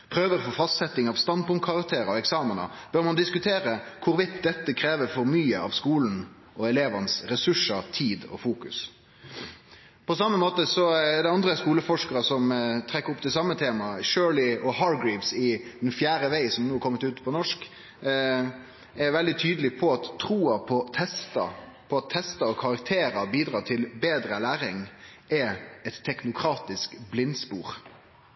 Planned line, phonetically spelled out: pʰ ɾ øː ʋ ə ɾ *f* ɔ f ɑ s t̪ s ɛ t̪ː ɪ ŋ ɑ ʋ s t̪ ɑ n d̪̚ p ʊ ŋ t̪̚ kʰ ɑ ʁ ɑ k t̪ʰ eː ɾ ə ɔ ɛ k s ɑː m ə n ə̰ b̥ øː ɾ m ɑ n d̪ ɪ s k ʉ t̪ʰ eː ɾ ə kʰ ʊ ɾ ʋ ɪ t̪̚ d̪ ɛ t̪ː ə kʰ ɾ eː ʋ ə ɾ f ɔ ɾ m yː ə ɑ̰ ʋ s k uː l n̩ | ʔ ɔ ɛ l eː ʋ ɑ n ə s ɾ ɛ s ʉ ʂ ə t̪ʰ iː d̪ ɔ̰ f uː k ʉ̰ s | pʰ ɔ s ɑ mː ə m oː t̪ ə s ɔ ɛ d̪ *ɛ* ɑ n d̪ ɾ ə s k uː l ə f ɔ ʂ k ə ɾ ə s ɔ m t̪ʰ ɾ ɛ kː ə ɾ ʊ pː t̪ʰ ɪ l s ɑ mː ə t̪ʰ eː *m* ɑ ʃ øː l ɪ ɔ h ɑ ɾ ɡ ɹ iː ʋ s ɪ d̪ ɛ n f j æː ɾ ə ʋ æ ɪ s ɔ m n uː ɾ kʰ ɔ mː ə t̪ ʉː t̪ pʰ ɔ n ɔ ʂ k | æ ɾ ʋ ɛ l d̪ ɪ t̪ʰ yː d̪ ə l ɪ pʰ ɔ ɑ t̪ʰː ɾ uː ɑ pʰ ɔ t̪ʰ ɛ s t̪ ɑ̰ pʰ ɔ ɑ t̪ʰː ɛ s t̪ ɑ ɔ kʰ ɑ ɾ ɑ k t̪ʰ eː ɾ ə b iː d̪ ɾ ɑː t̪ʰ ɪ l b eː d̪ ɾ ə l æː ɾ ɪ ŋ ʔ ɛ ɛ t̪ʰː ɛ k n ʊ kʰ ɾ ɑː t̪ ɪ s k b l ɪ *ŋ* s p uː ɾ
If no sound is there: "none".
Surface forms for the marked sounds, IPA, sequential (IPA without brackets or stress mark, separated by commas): f, ɛ, m, n